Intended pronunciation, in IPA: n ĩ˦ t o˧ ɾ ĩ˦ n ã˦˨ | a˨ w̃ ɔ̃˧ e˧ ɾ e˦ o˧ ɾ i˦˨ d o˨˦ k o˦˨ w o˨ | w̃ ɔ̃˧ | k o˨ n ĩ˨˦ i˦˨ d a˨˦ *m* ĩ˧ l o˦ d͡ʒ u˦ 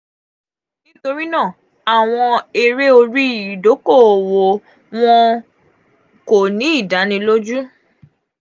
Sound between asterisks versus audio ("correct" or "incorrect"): incorrect